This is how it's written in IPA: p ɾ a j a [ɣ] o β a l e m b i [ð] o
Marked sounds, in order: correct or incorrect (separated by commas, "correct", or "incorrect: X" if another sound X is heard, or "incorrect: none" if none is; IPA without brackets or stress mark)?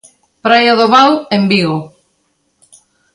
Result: incorrect: ð, incorrect: ɣ